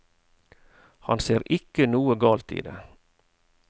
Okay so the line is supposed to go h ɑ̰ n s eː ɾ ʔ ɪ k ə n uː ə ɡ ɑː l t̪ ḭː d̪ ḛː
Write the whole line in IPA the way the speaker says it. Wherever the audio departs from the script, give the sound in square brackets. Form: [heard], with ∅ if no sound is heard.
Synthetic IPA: h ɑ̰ n s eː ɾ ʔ ɪ k ə n uː ə ɡ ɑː l t̪ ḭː d̪ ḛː